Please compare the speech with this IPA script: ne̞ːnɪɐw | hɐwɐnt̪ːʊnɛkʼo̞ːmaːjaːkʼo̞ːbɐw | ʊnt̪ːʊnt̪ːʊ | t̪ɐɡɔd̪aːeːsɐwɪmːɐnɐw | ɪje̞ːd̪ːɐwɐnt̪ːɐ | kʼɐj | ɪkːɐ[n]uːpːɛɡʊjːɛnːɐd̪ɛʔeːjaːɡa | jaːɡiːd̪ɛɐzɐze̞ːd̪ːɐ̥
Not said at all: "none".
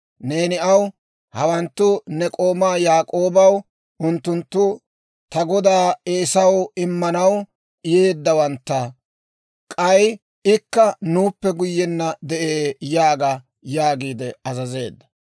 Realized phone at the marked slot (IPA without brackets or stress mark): n